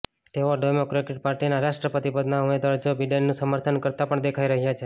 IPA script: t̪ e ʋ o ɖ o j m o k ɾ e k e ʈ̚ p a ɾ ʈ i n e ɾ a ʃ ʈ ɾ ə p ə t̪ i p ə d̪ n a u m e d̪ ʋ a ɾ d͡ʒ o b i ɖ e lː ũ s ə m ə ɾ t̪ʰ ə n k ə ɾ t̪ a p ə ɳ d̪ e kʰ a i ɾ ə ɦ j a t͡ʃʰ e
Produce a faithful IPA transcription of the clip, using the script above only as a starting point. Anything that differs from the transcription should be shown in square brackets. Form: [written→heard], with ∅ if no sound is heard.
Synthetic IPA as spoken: t̪ e ʋ o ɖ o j m o k ɾ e k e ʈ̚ p a ɾ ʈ i n [e→a] ɾ a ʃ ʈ ɾ ə p ə t̪ i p ə d̪ n a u m e d̪ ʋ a ɾ d͡ʒ o b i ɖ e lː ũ s ə m ə ɾ t̪ʰ ə n k ə ɾ t̪ a p ə ɳ d̪ e kʰ a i ɾ ə ɦ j a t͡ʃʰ e